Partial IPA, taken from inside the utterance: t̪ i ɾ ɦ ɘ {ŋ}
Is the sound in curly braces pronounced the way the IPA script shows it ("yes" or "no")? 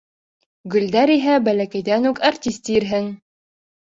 yes